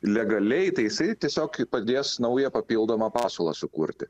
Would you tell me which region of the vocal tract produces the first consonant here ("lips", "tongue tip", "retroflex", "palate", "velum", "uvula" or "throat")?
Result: tongue tip